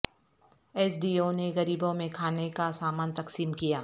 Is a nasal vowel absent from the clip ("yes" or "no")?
no